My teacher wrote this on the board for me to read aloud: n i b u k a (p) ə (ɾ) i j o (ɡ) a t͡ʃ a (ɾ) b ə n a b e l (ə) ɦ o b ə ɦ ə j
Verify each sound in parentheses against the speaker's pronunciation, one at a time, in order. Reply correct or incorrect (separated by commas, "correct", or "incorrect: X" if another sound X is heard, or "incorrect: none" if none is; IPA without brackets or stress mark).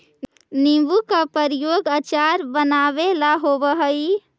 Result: correct, correct, correct, correct, incorrect: a